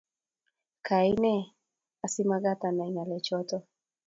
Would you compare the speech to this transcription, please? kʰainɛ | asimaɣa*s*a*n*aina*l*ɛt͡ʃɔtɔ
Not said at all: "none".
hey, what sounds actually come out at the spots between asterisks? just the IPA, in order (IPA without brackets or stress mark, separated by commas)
t, n, l